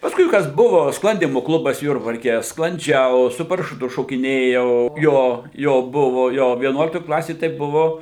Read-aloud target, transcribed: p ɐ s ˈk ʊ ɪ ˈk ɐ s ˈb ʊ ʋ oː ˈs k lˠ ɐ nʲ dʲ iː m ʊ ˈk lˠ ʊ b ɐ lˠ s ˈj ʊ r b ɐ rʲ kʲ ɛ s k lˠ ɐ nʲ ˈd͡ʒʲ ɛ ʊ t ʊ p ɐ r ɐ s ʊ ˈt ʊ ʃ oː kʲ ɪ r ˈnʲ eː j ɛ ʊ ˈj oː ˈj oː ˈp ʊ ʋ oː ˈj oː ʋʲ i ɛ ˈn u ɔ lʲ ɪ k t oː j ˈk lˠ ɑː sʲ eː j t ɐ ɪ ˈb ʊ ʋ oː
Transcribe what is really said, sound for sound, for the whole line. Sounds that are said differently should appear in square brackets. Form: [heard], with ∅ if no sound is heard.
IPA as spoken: p ɐ s ˈk ʊ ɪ ˈk ɐ s ˈb ʊ ʋ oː ˈs k lˠ ɐ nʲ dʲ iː m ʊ ˈk lˠ ʊ b ɐ [∅] s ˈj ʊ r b ɐ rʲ kʲ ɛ s k lˠ ɐ nʲ ˈd͡ʒʲ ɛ ʊ [s] ʊ p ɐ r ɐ [ʃ] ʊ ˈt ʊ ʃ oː kʲ ɪ [∅] ˈnʲ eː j ɛ ʊ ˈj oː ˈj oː [ˈb] ʊ ʋ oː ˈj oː ʋʲ i ɛ ˈn u ɔ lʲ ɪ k t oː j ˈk lˠ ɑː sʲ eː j t ɐ ɪ ˈb ʊ ʋ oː